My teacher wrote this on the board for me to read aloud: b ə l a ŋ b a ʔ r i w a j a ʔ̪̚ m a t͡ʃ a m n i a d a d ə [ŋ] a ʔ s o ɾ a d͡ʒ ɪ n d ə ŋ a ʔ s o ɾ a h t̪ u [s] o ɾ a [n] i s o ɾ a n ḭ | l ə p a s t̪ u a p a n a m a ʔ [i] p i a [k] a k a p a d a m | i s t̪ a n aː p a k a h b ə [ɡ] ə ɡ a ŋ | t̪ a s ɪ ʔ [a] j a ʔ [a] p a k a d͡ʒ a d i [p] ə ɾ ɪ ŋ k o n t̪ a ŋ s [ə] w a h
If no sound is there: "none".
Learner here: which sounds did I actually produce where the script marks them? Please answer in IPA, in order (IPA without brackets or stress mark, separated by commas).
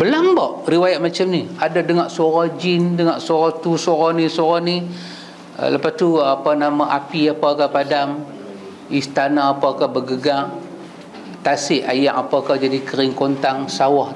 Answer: ŋ, s, n, a, p, ɡ, a, a, k, a